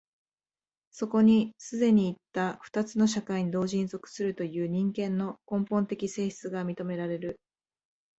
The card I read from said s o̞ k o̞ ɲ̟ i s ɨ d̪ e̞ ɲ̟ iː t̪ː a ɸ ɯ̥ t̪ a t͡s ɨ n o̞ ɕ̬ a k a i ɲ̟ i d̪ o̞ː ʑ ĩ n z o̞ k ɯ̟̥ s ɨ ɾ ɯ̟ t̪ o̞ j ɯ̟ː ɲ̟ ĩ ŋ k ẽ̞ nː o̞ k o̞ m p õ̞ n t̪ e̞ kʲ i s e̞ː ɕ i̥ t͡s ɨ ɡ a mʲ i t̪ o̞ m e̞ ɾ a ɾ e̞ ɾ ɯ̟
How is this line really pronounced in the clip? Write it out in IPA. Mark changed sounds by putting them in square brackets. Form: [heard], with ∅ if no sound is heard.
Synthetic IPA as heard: s o̞ k o̞ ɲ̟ i s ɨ d̪ e̞ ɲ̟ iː t̪ː a ɸ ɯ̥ t̪ a t͡s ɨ n o̞ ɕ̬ a k a i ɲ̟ i d̪ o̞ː ʑ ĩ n z o̞ k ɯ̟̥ s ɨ ɾ ɯ̟ t̪ o̞ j ɯ̟ː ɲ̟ ĩ ŋ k ẽ̞ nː o̞ k [õ̞] m p õ̞ n t̪ e̞ kʲ i s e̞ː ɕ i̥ t͡s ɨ ɡ a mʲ i t̪ o̞ m e̞ ɾ a ɾ e̞ ɾ ɯ̟